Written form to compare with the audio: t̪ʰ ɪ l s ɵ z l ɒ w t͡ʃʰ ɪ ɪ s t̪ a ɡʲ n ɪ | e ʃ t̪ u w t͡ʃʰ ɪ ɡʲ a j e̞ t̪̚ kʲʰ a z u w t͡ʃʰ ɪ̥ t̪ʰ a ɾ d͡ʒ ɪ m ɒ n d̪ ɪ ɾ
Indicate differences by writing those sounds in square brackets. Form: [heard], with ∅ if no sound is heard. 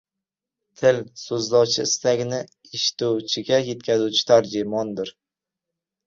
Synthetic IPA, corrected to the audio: t̪ʰ ɪ l s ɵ z l ɒ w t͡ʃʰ ɪ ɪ s t̪ a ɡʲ n ɪ | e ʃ t̪ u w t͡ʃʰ ɪ ɡʲ a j e̞ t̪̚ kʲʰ a z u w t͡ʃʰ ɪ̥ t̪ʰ a ɾ d͡ʒ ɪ m ɒ n d̪ ɪ ɾ